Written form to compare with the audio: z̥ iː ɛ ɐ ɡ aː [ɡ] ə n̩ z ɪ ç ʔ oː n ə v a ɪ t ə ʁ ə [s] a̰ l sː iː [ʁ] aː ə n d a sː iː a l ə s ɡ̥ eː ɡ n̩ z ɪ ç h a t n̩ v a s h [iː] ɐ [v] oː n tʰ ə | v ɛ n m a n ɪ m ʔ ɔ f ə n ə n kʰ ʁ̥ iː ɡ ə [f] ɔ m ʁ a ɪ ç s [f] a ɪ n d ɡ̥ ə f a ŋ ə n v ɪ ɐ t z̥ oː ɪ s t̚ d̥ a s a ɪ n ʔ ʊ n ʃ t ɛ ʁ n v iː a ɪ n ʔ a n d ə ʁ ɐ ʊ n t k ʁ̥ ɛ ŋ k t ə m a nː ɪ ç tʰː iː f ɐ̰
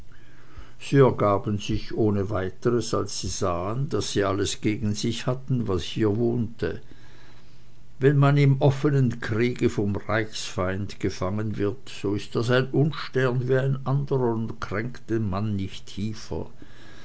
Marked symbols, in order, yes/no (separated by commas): no, yes, no, yes, yes, yes, yes